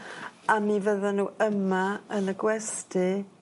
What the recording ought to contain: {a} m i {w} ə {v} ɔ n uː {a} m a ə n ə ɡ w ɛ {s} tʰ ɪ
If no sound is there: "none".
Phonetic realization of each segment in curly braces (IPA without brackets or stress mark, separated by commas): a, v, ð, ə, s